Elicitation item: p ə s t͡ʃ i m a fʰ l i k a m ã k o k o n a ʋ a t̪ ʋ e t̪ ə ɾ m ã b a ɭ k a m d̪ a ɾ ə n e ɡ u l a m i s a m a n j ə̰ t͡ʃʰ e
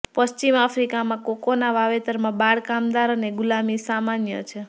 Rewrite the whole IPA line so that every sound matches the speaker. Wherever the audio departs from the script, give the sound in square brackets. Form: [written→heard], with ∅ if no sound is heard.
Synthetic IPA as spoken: p ə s t͡ʃ i m a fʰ [l→ɾ] i k a m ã k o k o n a ʋ a [t̪→∅] ʋ e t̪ ə ɾ m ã b a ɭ k a m d̪ a ɾ ə n e ɡ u l a m i s a m a n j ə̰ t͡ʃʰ e